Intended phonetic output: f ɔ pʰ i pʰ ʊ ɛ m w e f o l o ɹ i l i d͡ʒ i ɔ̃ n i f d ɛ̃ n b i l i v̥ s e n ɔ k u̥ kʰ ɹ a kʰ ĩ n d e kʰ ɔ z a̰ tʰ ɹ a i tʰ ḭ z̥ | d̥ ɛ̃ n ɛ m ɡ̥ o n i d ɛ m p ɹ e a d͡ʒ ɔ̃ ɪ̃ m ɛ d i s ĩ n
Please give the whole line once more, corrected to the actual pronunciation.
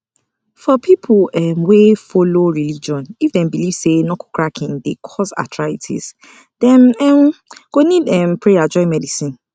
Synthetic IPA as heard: f ɔ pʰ i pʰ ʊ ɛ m w e f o l o ɹ i l i d͡ʒ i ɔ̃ n i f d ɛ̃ n b i l i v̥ s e n ɔ k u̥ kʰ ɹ a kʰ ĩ n d e kʰ ɔ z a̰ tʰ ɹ a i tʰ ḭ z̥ | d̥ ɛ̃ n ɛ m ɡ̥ o n i d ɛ m p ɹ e a d͡ʒ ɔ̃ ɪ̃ m ɛ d i s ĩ n